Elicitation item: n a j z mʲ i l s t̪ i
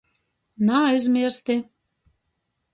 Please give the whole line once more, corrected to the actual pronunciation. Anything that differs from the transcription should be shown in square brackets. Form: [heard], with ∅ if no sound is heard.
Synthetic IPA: n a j z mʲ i [ɾ] s t̪ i